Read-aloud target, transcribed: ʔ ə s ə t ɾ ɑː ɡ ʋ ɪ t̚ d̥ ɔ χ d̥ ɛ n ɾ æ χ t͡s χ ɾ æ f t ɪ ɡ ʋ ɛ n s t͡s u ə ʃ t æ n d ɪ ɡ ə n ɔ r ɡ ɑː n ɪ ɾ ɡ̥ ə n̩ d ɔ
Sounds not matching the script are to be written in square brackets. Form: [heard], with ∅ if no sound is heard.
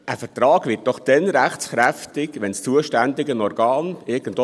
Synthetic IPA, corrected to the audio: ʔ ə [f] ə t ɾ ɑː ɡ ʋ ɪ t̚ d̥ ɔ χ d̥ ɛ n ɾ æ χ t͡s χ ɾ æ f t ɪ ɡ ʋ ɛ n s t͡s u ə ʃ t æ n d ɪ ɡ ə n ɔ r ɡ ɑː n ɪ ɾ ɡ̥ ə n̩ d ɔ

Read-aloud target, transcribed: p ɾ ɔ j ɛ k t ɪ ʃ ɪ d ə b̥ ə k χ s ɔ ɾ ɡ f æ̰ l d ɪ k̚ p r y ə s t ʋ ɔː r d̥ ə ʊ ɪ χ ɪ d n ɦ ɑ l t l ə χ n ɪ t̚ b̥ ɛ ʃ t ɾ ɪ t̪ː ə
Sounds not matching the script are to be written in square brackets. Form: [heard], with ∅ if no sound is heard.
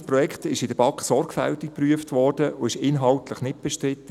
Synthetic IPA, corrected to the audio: p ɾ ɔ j ɛ k t ɪ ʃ ɪ d ə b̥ [ɑ] k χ s ɔ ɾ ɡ f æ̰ l [t] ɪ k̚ p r y ə [f] t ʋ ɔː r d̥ ə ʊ ɪ [ʃ] ɪ [∅] n ɦ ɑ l t l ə χ n ɪ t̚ b̥ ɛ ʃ t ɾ ɪ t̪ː ə

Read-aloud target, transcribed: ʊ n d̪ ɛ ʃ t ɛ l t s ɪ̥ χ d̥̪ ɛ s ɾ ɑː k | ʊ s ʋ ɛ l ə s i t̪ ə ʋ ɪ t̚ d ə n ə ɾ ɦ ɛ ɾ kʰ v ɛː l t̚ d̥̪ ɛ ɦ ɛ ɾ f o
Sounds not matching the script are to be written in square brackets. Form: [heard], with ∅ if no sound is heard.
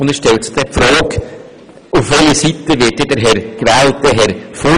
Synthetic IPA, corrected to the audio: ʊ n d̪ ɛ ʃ t ɛ l t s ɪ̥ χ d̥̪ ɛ [f] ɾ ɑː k | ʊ [f] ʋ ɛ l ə s i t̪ ə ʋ ɪ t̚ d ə [d] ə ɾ ɦ ɛ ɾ [k] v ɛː l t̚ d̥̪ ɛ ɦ ɛ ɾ f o

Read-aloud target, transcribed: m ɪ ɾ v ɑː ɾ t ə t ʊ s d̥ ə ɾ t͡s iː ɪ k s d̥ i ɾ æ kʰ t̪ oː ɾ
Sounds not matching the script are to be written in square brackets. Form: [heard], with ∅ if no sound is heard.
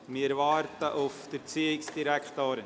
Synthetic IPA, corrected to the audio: m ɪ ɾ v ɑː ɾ t ə [ʔ] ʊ [f] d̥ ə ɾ t͡s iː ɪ k s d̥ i ɾ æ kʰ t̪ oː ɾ

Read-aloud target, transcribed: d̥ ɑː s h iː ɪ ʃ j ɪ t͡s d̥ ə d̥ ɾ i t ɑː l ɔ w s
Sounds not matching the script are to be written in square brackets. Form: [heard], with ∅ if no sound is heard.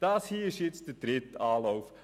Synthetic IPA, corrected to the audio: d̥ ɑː s h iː ɪ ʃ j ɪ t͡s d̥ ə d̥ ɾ [ɪ] t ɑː l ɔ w [f]

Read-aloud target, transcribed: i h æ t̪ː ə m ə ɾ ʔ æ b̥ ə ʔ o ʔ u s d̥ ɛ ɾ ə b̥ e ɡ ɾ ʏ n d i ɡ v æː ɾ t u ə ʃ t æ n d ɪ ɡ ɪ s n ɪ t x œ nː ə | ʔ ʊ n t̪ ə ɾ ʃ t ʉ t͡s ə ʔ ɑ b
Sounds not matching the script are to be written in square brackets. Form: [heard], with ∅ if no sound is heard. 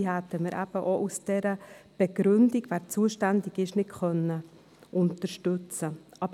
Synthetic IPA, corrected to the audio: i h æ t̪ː ə m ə ɾ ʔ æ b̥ ə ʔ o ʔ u s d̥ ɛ ɾ ə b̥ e ɡ ɾ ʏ n d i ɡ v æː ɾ [t͡s] u ə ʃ t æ n d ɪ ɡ ɪ [ʃ] n ɪ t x œ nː ə | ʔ ʊ n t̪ ə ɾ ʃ t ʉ t͡s ə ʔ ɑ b

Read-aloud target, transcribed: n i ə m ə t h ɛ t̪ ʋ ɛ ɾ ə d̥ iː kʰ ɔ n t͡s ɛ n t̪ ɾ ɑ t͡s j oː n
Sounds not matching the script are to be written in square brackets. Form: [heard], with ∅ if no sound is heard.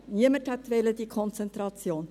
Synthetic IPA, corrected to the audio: n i ə m ə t h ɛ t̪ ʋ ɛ [l] ə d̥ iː kʰ ɔ n t͡s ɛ n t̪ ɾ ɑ t͡s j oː n

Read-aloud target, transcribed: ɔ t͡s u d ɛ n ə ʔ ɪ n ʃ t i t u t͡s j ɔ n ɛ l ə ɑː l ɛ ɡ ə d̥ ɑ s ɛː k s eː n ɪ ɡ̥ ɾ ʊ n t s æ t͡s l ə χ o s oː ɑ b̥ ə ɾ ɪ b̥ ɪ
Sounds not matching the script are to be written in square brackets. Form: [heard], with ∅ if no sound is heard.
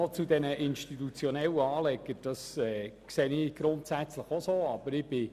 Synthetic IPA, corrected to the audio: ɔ t͡s u d ɛ n ə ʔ ɪ n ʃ t i t u t͡s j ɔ n ɛ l ə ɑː l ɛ ɡ ə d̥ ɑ s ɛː k s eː n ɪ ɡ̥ ɾ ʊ n t s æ t͡s l ə χ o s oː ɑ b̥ ə ɾ ɪ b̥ ɪ

